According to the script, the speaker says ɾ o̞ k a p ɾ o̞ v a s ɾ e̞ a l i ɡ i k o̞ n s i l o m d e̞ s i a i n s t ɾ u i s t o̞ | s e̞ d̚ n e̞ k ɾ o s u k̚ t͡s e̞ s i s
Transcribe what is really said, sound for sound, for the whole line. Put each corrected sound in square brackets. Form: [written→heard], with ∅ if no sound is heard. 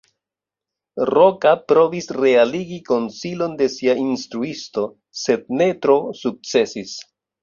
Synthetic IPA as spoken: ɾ o̞ k a p ɾ o̞ v [a→i] s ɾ e̞ a l i ɡ i k o̞ n s i l o [m→n] d e̞ s i a i n s t ɾ u i s t o̞ | s e̞ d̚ n e̞ [k→t] ɾ o s u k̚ t͡s e̞ s i s